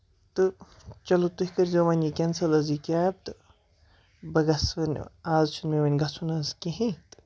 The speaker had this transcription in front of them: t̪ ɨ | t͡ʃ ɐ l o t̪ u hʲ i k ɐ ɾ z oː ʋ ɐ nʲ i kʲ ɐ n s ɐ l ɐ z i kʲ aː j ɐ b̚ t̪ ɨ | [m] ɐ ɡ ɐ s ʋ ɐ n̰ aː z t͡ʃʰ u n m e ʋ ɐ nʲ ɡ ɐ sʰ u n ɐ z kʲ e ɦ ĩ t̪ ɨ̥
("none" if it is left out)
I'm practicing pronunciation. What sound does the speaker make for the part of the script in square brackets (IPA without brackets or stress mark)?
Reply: b